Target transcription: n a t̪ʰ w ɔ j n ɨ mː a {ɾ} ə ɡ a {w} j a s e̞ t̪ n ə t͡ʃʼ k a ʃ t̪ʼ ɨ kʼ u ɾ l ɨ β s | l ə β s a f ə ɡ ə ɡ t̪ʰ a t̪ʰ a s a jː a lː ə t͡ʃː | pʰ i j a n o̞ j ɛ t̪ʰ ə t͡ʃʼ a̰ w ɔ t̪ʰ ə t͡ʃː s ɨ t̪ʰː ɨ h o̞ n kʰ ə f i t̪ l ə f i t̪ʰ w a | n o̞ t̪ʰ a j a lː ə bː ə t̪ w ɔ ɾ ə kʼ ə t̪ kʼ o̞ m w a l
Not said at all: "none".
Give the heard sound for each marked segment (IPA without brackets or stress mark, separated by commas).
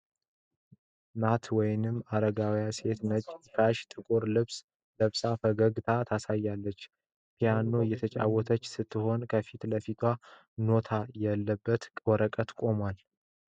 ɾ, w